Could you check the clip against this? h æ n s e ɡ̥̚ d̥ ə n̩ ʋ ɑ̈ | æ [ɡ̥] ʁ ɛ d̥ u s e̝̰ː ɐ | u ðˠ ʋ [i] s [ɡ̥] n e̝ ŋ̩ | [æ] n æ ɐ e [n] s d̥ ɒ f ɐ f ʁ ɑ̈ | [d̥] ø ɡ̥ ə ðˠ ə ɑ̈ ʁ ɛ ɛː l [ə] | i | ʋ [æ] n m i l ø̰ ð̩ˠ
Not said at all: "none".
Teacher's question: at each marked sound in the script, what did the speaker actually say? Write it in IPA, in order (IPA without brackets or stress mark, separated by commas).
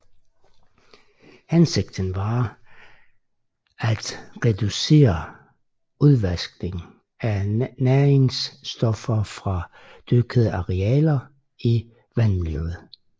d̥, æ, ɡ̥, æ, ŋ, d̥, ɐ, æ